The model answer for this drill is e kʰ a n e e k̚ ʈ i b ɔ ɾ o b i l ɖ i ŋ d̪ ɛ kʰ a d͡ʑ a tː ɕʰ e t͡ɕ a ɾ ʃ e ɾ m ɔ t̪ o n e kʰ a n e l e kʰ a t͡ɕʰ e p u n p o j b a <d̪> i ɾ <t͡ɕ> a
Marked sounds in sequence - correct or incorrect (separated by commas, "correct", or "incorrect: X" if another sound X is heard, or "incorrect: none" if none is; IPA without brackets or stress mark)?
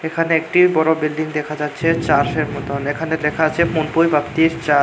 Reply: incorrect: t̪, correct